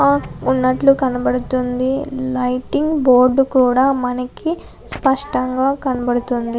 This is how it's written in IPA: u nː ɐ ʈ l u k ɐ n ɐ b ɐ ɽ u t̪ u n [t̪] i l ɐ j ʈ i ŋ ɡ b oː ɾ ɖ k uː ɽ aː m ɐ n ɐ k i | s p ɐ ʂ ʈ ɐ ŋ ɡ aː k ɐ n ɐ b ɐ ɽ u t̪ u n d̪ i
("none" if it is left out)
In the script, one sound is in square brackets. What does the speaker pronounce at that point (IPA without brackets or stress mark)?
d̪